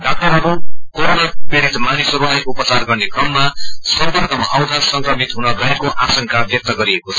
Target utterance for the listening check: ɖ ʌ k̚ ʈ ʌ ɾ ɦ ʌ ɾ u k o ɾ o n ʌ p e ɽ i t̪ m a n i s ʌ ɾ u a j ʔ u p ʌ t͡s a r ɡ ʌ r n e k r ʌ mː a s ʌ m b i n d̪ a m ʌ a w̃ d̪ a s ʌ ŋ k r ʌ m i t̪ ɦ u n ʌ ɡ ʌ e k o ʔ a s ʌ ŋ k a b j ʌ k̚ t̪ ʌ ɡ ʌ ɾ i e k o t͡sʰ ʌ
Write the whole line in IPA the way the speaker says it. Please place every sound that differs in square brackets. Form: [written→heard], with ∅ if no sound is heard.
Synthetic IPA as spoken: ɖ [ʌ→a] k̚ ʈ ʌ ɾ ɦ ʌ ɾ u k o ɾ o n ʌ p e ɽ i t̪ m a n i s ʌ ɾ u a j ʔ u p ʌ t͡s a r ɡ ʌ r n e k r ʌ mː a s ʌ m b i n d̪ [a→ʌ] m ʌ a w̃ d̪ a s ʌ ŋ k r ʌ m i t̪ ɦ u n ʌ ɡ ʌ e k o ʔ a s ʌ ŋ k a b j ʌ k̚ t̪ ʌ ɡ ʌ ɾ i e k o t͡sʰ ʌ